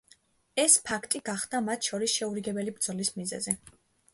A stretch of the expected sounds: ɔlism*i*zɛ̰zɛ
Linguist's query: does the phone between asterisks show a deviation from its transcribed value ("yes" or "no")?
no